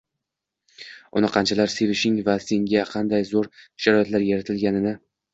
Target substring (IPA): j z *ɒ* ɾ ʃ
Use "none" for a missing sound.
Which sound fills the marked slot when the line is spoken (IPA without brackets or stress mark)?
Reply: o